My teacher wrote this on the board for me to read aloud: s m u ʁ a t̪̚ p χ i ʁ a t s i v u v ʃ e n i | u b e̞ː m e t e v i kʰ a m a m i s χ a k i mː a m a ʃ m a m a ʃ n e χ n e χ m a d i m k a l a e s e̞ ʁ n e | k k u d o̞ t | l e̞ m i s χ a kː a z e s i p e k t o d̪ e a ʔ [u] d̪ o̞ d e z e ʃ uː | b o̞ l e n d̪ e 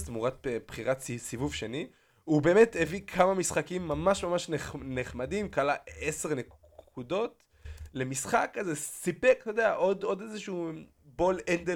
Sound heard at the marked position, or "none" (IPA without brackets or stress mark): o